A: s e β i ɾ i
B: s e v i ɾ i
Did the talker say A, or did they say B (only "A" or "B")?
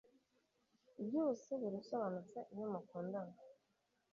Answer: A